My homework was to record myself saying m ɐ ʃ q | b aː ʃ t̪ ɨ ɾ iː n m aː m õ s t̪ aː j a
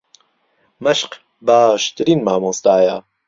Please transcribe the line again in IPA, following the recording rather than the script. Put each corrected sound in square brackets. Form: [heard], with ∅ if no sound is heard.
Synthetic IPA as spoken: m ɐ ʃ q | b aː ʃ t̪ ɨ ɾ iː n m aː m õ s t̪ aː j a